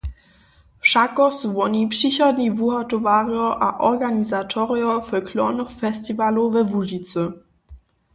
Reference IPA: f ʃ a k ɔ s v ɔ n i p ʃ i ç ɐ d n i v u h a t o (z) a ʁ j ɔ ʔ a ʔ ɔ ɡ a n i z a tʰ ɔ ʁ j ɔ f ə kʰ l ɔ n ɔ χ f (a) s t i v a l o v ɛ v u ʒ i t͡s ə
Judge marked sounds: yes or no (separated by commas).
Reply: no, no